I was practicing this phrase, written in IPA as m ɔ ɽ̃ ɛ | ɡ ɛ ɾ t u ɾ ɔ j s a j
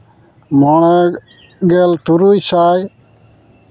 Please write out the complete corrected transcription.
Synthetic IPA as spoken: m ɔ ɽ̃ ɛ | ɡ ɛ l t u ɾ u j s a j